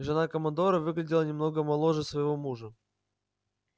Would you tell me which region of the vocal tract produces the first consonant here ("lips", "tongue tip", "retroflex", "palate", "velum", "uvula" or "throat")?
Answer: retroflex